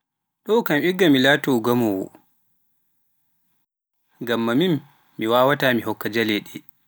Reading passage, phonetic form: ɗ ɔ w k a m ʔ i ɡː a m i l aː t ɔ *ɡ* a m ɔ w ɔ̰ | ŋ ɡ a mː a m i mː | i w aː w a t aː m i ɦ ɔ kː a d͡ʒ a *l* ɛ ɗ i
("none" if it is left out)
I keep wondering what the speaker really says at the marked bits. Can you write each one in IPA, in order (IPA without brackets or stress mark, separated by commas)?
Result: ɡ, l